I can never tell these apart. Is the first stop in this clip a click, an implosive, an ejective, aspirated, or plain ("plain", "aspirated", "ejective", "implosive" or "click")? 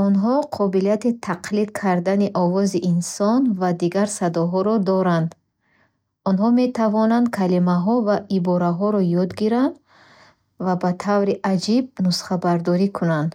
aspirated